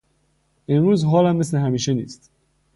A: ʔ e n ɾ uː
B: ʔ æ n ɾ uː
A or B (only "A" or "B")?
A